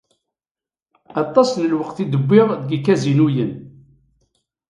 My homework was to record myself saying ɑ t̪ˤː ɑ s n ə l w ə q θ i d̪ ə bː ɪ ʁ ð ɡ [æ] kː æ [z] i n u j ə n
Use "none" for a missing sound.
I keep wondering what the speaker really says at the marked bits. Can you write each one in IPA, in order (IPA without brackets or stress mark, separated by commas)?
i, z